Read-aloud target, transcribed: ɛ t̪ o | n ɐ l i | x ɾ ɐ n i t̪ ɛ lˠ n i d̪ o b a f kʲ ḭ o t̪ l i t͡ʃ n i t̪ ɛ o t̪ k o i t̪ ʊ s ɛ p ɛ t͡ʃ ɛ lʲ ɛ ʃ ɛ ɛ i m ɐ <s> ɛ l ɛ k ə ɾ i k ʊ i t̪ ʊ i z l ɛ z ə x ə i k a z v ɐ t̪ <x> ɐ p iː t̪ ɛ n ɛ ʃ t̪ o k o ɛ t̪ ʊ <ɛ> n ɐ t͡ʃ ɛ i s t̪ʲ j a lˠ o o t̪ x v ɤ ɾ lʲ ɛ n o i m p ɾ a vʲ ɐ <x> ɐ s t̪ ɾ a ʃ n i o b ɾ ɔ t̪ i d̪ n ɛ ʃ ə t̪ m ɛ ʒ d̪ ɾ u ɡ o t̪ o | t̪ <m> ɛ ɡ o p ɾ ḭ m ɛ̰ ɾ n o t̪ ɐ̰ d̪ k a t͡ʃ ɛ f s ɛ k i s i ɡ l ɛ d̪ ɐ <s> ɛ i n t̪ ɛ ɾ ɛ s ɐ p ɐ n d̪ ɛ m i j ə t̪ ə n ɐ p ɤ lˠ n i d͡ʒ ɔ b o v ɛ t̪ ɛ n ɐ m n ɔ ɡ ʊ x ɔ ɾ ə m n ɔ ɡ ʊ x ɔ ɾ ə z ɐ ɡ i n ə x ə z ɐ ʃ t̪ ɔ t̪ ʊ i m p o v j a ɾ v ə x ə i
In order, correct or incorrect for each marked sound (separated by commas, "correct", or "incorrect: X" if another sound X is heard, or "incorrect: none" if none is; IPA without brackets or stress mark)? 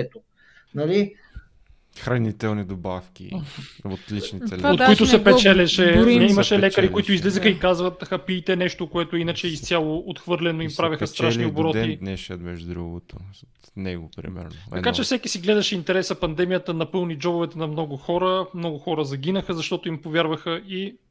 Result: incorrect: ʃ, correct, incorrect: i, correct, incorrect: n, incorrect: ʃ